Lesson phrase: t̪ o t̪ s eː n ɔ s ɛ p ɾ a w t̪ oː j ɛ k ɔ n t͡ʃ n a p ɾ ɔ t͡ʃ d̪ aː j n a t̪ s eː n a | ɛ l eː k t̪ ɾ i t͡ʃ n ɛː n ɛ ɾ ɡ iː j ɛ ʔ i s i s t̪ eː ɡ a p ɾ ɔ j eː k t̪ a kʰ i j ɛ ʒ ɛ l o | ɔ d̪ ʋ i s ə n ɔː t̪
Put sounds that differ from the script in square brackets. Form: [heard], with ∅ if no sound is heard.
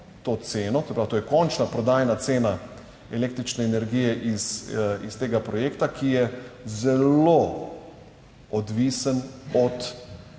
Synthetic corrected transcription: t̪ o t̪ s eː n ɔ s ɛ p ɾ a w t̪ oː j ɛ k ɔ n t͡ʃ n a p ɾ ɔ [∅] d̪ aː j n a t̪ s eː n a | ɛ l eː k t̪ ɾ i t͡ʃ n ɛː n ɛ ɾ ɡ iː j ɛ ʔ i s i s t̪ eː ɡ a p ɾ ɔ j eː k t̪ a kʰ i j ɛ [z] ɛ l o | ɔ d̪ ʋ i s ə n [ɔ] t̪